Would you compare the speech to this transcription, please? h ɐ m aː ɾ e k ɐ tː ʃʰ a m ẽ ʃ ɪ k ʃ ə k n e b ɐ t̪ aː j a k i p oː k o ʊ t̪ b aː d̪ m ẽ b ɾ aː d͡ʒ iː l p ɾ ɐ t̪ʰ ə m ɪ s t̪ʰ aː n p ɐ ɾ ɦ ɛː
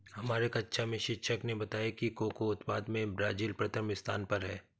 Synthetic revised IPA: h ɐ m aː ɾ e k ɐ tː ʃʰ a m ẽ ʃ ɪ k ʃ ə k n e b ɐ t̪ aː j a k i k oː k o ʊ t̪ p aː d̪ m ẽ b ɾ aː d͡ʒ iː l p ɾ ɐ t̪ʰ ə m ɪ s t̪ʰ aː n p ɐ ɾ ɦ ɛː